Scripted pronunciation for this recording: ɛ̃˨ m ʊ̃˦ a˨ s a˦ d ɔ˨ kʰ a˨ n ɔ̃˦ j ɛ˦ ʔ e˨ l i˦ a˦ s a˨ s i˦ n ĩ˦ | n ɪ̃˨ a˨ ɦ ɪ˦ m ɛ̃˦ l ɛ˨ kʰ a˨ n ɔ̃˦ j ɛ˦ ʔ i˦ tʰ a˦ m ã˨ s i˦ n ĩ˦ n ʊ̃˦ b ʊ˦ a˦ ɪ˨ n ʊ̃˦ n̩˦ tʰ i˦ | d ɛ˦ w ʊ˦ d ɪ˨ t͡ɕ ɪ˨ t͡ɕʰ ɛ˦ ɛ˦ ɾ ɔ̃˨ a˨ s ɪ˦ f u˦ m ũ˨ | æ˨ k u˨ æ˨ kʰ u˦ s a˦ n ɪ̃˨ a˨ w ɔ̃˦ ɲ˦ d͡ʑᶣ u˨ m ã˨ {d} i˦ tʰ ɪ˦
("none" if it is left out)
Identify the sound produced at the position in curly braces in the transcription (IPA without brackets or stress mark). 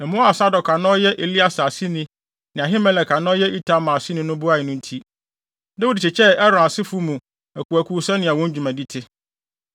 d